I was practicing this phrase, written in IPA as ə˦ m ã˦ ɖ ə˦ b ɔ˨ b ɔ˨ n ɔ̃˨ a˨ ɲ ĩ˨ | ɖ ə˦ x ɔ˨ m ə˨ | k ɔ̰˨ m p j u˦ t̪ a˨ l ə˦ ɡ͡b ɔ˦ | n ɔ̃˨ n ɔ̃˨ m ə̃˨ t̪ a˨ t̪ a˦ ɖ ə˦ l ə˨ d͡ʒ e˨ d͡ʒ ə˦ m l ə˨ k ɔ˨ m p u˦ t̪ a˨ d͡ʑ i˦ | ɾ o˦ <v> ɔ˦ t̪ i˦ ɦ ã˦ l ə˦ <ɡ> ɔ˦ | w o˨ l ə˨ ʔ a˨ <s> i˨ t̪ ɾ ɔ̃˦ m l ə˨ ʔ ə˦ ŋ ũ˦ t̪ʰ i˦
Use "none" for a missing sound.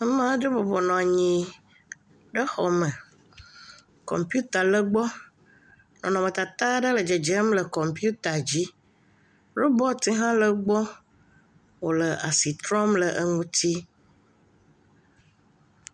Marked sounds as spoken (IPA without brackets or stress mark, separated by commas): b, ɡ͡b, s